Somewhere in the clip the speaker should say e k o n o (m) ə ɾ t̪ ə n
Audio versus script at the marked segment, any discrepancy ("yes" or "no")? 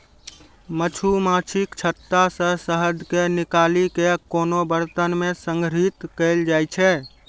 yes